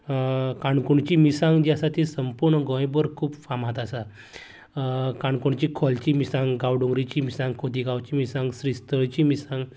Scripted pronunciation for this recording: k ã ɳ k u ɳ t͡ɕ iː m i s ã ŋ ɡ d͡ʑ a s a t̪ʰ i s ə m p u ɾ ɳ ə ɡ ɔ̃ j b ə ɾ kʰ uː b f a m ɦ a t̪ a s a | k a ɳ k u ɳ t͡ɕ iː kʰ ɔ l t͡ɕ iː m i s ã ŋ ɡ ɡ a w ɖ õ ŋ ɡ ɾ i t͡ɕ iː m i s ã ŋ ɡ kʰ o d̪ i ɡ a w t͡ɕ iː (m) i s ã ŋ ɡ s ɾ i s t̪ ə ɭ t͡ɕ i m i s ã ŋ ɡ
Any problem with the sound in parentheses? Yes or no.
no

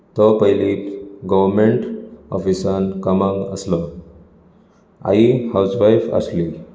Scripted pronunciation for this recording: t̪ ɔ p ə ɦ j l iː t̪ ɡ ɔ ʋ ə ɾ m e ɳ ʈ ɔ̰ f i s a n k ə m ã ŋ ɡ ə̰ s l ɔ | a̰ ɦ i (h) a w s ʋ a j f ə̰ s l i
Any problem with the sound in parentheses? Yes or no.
no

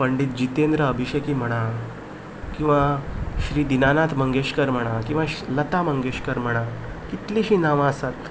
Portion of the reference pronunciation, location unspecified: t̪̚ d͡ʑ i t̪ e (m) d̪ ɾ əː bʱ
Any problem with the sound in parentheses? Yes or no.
yes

